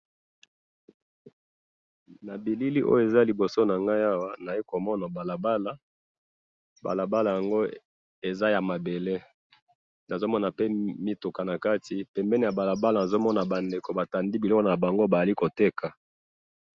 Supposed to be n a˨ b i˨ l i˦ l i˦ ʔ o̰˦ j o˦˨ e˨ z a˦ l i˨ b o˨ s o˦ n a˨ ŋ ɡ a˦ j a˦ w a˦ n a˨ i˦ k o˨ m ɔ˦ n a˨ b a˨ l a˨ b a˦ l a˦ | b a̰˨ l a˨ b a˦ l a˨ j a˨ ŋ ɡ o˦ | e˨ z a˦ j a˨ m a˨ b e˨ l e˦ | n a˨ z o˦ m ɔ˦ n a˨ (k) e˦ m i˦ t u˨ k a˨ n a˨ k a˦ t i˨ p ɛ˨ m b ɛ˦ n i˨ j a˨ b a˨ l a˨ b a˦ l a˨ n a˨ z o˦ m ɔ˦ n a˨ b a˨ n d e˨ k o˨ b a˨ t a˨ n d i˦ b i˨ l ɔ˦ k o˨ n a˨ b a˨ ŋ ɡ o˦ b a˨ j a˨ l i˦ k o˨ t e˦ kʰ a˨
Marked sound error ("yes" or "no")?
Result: yes